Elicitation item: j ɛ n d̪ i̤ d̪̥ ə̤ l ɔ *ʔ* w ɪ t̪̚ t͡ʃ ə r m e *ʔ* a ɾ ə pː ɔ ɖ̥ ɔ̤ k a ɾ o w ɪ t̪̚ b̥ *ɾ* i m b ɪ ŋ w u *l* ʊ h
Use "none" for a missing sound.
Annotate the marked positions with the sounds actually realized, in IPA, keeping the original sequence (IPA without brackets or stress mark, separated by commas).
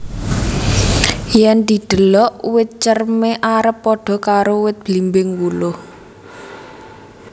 ʔ, ʔ, l, l